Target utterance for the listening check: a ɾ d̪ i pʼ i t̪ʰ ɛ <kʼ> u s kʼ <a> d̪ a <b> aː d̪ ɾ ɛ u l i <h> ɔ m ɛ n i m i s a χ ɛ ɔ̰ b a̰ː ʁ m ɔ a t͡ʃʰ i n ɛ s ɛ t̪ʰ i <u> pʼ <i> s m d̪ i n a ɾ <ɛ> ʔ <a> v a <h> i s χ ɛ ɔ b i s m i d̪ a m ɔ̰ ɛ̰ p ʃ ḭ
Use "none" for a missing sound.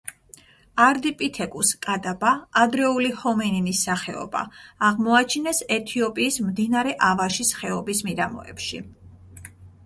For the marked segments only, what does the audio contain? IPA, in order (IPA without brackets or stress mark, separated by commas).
kʼ, a, b, h, ɔ, iː, ɛ, a, ʃ